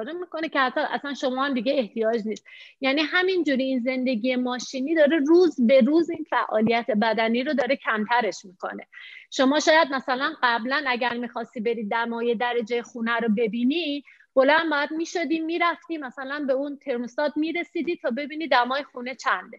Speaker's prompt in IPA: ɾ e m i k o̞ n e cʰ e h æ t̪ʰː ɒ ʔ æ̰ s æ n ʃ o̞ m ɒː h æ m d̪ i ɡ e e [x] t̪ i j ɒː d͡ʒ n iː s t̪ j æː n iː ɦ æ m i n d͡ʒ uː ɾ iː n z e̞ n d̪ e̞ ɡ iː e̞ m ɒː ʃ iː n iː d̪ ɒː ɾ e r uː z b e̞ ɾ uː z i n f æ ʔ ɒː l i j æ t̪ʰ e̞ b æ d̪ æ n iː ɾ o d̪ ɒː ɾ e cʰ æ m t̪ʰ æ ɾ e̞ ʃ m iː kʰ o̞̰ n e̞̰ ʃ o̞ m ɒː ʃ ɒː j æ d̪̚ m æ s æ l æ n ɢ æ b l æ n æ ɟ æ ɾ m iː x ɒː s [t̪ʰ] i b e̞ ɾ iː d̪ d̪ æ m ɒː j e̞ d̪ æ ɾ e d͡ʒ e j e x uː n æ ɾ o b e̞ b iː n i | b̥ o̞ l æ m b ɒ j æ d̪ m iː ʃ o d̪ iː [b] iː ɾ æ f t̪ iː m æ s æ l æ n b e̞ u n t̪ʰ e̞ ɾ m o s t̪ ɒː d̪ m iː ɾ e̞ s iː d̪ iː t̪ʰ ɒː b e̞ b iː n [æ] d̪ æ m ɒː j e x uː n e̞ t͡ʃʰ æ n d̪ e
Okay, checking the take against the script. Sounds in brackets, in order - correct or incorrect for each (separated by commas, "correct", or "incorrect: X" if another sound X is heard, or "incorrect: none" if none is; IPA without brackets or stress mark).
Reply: incorrect: h, incorrect: t̪, incorrect: m, incorrect: i